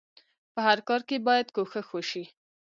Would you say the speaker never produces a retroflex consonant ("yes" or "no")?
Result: yes